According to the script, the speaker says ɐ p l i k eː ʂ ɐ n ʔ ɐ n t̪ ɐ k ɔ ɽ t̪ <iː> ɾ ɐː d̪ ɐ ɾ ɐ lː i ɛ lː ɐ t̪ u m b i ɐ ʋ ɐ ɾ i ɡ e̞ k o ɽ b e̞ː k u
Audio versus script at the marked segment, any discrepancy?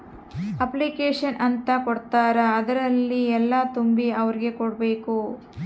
yes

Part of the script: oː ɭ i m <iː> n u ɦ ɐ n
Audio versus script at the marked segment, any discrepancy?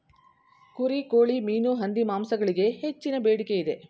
no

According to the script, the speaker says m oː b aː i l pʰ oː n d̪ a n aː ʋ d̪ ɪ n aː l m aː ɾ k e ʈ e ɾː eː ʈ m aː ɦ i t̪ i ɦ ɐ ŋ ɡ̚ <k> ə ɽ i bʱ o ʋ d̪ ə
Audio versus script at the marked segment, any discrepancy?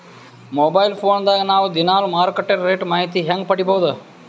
yes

